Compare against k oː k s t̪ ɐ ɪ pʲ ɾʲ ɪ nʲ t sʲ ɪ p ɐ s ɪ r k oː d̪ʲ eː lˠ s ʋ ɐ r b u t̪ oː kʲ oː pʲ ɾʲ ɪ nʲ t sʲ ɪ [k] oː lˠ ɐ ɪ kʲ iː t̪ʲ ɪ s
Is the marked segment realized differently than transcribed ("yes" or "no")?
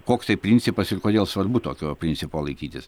yes